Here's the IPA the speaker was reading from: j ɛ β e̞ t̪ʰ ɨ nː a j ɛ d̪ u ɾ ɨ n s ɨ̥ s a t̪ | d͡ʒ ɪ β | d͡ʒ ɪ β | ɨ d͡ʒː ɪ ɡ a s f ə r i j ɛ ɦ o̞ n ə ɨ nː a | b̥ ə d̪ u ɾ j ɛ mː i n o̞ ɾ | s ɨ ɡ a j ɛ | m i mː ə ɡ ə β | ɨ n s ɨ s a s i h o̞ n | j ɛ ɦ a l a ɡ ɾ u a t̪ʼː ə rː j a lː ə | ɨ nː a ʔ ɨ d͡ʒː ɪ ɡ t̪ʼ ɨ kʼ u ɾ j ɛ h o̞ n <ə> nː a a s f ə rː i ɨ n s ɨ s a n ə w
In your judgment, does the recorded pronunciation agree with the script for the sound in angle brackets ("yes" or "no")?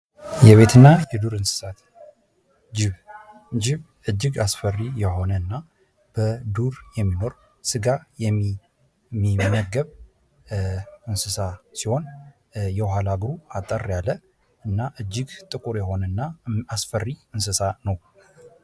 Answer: yes